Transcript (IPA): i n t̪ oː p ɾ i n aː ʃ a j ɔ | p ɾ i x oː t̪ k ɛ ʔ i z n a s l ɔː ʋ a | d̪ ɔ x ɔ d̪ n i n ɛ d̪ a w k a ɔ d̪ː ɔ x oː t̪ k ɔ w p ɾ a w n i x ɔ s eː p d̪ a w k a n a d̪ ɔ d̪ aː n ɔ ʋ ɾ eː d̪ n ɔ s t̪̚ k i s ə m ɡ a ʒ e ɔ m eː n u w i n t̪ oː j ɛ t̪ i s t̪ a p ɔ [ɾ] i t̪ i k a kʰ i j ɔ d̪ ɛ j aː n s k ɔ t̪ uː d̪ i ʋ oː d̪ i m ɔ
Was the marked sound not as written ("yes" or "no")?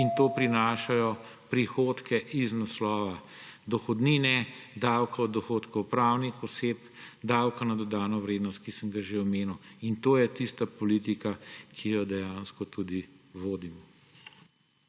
yes